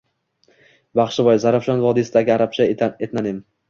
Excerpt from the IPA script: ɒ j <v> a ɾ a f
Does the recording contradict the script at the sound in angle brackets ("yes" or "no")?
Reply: yes